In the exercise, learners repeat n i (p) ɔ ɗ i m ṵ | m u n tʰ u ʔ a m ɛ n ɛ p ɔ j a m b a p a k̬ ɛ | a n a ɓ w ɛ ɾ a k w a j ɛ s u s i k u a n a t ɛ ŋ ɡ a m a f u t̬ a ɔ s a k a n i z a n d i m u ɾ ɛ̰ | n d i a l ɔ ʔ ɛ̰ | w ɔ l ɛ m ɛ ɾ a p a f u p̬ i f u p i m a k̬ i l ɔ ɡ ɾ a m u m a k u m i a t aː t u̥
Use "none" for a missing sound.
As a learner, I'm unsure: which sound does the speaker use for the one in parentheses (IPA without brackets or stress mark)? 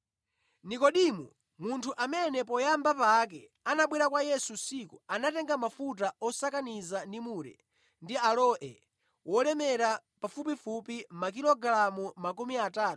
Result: k